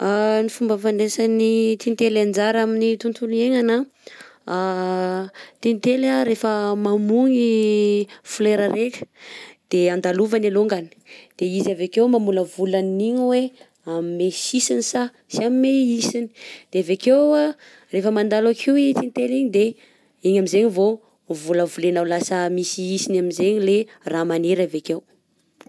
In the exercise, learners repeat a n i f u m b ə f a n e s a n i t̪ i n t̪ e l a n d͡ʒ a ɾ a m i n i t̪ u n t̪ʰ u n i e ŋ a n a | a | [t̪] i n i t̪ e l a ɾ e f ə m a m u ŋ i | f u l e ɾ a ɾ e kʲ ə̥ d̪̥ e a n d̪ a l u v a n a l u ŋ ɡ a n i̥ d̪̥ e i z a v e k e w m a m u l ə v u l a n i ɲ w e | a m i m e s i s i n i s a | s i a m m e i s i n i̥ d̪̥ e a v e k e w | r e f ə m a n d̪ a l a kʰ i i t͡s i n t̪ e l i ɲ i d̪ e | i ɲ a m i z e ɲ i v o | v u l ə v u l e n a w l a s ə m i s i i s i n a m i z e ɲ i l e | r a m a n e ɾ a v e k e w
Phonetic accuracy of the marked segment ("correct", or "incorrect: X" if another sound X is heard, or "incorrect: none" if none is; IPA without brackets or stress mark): correct